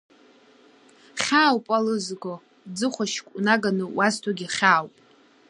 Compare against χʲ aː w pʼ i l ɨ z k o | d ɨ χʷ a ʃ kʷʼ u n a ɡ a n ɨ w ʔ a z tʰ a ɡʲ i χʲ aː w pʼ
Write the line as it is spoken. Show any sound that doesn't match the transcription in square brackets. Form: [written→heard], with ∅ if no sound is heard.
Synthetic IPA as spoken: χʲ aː w pʼ [i→a] l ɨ z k o | [d→d͡z] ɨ χʷ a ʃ kʷʼ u n a ɡ a n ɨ w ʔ a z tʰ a ɡʲ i χʲ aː w pʼ